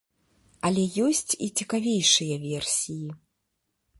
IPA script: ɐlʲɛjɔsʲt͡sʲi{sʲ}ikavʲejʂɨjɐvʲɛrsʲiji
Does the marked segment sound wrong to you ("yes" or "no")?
yes